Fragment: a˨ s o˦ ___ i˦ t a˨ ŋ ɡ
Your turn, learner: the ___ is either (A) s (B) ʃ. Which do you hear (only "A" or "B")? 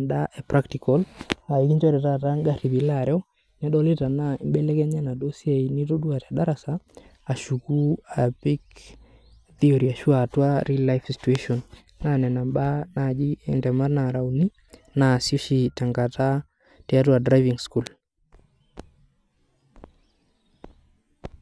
B